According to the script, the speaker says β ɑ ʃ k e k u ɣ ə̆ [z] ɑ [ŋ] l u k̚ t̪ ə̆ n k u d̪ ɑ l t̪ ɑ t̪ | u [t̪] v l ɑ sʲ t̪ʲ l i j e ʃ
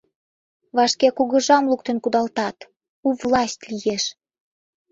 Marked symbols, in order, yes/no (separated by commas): no, no, no